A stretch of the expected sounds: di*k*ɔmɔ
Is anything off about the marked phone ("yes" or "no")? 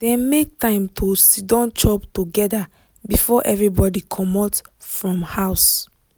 yes